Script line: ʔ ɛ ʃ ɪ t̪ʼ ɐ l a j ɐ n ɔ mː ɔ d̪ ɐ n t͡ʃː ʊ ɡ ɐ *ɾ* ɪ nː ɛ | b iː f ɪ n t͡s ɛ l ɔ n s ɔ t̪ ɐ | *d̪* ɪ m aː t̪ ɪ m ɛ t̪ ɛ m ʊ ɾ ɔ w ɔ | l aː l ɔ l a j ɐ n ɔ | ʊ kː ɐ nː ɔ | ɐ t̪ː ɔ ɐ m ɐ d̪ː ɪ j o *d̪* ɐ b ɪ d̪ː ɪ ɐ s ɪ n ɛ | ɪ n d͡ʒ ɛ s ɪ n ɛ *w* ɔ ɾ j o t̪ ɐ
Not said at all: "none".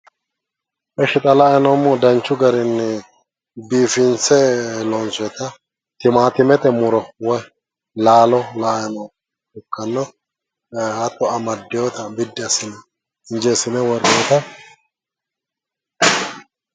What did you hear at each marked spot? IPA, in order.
ɾ, t̪, t̪, w

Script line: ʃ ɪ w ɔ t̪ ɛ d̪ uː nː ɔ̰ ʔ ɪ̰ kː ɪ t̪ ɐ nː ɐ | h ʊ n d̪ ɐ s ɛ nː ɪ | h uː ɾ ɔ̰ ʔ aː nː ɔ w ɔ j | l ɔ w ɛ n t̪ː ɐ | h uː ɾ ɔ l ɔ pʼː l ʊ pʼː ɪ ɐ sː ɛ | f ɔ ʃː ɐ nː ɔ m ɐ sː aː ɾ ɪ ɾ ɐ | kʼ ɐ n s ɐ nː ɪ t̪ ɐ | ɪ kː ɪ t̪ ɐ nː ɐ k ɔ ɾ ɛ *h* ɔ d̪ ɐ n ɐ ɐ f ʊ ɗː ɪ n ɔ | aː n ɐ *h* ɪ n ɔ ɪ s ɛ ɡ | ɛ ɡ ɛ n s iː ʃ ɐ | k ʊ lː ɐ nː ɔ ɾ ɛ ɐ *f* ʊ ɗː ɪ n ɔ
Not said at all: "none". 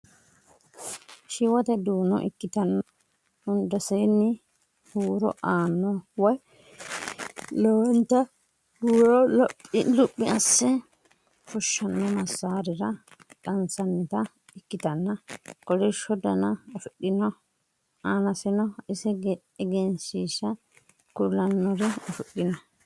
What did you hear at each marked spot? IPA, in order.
ʃ, s, f

